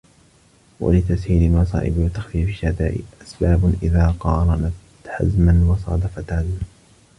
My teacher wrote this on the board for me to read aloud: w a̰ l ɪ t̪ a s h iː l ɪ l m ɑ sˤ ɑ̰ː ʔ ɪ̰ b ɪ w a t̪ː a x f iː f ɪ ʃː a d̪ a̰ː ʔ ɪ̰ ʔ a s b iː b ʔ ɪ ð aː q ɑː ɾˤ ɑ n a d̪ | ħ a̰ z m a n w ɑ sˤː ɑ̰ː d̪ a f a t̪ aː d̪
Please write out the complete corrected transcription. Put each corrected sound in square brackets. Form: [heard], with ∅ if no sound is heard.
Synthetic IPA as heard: w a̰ l ɪ t̪ a s h iː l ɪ l m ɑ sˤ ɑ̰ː ʔ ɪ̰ b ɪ w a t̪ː a x f iː f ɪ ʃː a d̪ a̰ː ʔ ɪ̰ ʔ a s b [aː] b ʔ ɪ ð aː q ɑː ɾˤ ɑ n a [t̪] | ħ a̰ z m a n w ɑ [sˤ] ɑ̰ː d̪ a f a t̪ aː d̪